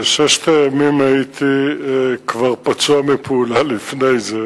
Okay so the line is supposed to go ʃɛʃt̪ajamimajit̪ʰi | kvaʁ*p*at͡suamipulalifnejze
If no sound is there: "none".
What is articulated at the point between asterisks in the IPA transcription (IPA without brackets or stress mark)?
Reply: p